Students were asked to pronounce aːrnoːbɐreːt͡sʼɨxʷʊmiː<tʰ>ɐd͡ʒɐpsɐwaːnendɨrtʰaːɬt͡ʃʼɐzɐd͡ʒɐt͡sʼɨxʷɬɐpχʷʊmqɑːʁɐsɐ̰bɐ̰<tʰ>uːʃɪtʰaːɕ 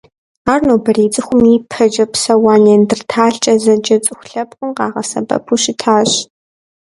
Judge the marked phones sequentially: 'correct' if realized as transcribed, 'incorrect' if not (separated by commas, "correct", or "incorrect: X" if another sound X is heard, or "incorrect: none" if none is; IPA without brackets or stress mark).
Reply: incorrect: pʰ, incorrect: pʰ